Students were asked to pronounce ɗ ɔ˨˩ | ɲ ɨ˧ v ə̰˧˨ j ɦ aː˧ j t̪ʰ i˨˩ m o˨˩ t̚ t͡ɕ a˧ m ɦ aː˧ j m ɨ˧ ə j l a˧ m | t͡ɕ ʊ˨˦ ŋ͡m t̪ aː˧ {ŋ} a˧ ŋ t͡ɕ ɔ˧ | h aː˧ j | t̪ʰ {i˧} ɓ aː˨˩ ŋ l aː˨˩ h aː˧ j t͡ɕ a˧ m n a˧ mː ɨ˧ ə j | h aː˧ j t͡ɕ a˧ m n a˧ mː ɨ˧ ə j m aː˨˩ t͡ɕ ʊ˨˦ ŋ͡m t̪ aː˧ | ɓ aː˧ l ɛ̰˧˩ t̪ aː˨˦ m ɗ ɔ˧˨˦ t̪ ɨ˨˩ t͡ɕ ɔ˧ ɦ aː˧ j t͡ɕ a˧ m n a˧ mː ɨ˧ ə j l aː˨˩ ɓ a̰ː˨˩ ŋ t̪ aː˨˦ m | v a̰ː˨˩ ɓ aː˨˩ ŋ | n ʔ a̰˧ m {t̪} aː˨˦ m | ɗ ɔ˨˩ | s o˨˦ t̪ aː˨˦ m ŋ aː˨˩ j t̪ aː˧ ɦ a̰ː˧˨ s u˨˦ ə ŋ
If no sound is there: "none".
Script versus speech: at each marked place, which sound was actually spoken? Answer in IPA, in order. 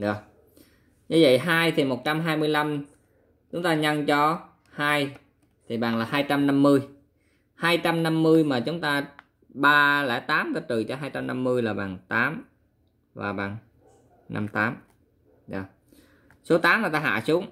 ɲ, i˨˩, t̪

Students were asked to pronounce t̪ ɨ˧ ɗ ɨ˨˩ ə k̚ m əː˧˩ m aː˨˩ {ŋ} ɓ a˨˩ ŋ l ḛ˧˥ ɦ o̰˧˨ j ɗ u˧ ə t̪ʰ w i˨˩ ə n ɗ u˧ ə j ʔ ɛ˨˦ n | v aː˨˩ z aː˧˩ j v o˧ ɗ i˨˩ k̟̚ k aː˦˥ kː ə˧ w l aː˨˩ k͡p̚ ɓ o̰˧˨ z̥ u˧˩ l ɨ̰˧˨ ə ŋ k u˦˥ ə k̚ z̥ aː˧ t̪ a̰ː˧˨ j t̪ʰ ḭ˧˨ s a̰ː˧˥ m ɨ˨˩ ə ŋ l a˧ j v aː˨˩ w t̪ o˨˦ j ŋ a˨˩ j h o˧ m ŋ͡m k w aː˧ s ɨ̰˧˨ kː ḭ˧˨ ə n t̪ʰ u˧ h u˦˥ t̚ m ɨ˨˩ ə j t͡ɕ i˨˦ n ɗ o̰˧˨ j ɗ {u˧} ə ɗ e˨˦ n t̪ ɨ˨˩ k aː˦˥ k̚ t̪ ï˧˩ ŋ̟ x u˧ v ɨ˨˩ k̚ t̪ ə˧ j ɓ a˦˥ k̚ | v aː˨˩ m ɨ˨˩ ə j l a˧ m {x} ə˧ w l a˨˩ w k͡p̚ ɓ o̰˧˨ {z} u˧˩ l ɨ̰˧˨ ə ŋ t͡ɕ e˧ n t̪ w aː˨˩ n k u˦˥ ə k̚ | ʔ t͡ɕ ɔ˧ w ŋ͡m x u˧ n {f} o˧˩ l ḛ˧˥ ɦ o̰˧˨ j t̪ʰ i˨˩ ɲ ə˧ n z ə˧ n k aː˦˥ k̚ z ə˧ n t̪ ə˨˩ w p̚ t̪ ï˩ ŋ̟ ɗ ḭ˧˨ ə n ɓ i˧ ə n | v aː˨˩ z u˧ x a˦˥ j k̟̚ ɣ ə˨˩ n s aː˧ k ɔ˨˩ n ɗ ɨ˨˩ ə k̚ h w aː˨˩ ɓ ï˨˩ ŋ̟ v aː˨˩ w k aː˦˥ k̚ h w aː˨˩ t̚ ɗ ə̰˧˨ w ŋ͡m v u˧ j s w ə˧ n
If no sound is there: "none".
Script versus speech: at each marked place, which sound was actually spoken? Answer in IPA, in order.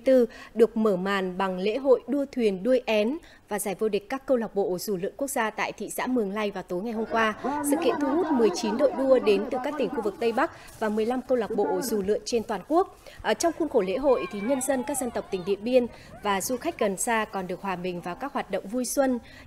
n, u˧, k, z, x

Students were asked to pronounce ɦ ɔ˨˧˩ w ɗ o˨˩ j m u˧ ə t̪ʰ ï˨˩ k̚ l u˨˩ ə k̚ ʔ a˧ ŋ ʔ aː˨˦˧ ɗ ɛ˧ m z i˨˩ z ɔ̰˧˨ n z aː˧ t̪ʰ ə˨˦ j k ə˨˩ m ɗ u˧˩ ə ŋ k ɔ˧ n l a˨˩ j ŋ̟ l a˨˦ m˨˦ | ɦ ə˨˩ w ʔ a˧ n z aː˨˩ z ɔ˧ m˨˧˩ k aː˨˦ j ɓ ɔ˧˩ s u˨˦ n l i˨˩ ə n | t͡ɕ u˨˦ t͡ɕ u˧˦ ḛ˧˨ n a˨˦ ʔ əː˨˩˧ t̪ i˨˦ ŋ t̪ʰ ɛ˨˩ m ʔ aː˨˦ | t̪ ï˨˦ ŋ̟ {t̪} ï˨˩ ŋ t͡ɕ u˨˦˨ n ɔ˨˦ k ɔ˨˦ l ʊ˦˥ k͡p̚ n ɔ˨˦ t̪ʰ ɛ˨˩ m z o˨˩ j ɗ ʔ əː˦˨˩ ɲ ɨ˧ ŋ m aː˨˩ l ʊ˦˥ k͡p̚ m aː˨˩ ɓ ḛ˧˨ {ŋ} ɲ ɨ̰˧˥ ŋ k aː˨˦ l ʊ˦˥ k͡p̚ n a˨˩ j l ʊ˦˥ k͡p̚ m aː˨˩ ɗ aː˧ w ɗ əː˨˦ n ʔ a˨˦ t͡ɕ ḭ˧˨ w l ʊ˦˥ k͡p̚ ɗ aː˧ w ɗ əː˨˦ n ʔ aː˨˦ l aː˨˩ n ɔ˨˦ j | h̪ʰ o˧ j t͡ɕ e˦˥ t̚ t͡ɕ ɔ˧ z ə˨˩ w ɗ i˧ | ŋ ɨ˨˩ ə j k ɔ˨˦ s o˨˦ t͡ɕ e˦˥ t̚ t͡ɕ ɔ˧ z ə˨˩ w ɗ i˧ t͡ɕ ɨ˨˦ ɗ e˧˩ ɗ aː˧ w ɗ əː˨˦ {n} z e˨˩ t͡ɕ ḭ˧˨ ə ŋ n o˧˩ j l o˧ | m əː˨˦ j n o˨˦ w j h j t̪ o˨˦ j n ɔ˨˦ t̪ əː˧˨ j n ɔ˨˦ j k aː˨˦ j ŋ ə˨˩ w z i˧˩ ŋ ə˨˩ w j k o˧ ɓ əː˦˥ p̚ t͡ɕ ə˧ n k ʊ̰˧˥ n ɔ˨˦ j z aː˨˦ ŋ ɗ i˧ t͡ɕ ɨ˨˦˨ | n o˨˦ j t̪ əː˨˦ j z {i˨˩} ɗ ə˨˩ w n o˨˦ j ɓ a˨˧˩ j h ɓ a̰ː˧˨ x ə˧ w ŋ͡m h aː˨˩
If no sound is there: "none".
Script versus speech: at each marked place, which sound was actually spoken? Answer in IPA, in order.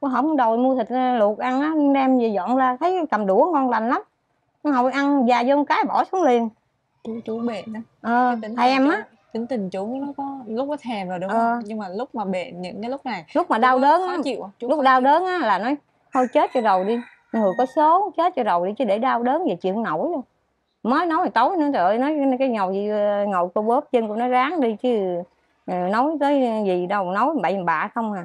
t̪, n, n, i˨˩

